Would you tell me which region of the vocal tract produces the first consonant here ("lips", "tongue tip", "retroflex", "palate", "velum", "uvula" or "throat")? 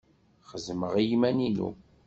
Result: uvula